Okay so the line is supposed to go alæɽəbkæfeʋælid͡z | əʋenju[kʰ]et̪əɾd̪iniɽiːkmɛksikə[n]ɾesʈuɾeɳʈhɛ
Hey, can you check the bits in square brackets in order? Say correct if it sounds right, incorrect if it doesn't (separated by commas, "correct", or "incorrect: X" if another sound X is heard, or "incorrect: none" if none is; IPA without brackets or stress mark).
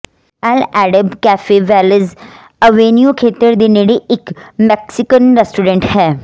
correct, correct